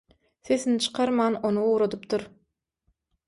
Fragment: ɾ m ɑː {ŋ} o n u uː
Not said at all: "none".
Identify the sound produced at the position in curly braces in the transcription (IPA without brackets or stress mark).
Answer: n